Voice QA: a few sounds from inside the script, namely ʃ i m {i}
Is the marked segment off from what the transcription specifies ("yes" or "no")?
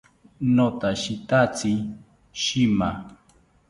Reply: yes